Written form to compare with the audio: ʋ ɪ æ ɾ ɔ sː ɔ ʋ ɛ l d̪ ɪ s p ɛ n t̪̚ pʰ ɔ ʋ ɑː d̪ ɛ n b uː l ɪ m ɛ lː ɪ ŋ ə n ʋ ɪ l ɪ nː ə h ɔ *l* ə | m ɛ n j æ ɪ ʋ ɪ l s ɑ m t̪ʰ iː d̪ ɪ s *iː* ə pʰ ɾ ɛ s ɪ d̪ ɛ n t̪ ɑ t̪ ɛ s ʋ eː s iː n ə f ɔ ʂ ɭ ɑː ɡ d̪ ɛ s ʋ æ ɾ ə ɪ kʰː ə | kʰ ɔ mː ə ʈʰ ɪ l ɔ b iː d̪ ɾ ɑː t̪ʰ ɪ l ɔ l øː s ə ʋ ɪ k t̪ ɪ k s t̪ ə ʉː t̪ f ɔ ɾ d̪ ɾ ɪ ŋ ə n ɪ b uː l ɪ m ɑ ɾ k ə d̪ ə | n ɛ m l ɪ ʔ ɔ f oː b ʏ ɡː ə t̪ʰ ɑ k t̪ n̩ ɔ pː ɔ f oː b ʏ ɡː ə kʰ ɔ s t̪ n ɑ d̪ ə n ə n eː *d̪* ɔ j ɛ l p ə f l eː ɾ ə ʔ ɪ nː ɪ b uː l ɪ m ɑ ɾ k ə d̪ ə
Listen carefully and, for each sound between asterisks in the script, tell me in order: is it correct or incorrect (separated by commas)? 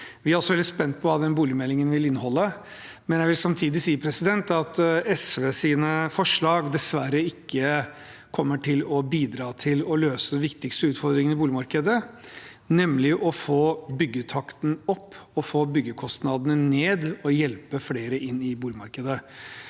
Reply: incorrect, correct, correct